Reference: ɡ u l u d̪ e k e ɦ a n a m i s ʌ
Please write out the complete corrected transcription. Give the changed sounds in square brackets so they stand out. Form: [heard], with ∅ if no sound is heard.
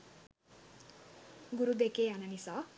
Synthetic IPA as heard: ɡ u [ɾ] u d̪ e k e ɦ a n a [n] i s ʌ